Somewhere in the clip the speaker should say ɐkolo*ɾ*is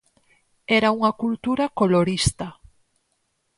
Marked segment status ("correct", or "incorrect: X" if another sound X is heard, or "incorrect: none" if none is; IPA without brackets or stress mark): correct